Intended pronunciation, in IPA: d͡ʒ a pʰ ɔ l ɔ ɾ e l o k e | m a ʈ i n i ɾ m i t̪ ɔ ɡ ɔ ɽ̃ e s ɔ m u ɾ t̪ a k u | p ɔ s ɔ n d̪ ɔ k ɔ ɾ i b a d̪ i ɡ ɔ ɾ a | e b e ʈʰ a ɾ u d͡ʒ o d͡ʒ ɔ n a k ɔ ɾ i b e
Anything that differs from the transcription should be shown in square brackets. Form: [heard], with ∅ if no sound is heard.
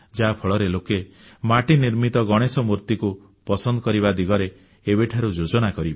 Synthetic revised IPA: d͡ʒ a pʰ ɔ [ɭ] ɔ ɾ e l o k e | m a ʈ i n i ɾ m i t̪ ɔ ɡ ɔ ɽ̃ e s ɔ m u ɾ t̪ [i] k u | p ɔ s ɔ n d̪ ɔ k ɔ ɾ i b a d̪ i ɡ ɔ ɾ [e] | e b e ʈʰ a ɾ u d͡ʒ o d͡ʒ ɔ n a k ɔ ɾ i b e